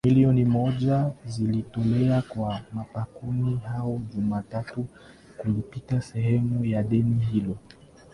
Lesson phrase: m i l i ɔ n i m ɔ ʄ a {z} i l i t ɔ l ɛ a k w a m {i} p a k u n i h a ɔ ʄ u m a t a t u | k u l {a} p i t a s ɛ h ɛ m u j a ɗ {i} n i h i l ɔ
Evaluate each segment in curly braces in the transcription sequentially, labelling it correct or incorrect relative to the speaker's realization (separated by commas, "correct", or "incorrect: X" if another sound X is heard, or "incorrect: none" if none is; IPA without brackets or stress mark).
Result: correct, incorrect: a, incorrect: i, incorrect: ɛ